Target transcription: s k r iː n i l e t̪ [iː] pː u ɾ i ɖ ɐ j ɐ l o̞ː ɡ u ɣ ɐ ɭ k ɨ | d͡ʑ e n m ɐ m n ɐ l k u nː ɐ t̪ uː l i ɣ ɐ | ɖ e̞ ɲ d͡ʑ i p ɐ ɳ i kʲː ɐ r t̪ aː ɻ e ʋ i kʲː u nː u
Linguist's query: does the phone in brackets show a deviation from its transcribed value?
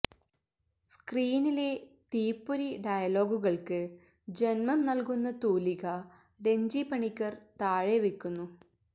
no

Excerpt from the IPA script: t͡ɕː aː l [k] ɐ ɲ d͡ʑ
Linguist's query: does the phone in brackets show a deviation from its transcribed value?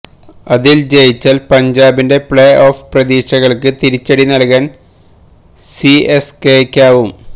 yes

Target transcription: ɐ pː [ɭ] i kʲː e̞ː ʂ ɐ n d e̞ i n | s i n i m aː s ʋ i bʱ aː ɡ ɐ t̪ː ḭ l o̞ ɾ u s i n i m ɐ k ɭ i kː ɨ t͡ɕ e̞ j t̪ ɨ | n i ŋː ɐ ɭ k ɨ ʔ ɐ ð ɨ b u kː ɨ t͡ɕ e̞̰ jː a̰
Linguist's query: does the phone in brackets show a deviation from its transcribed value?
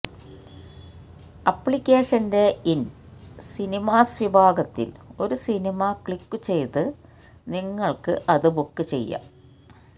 no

